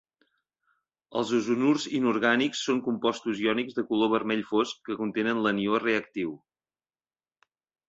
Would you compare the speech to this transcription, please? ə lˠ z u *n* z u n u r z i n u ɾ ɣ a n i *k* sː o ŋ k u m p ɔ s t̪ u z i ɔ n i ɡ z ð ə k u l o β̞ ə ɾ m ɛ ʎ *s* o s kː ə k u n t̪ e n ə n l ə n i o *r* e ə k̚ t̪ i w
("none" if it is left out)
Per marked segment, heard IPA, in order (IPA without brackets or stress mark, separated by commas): none, k, f, r